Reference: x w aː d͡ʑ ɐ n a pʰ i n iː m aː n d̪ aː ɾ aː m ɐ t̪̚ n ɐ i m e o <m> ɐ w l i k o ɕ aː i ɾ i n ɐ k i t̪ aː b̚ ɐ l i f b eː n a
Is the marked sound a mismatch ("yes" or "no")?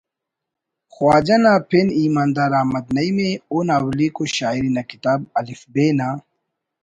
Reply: yes